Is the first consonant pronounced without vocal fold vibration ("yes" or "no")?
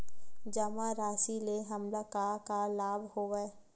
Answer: no